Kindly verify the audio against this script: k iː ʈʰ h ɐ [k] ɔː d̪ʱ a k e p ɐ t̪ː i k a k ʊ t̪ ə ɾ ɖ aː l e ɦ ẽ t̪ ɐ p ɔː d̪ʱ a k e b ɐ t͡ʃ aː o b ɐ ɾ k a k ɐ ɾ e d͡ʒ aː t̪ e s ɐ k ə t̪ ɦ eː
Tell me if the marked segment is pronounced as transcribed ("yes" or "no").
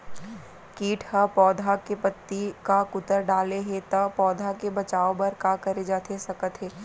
no